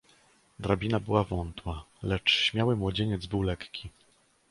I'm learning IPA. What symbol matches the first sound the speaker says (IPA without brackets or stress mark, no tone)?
d̪